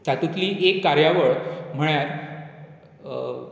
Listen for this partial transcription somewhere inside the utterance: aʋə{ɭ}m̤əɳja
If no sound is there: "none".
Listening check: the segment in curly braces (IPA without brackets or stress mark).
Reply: ɭ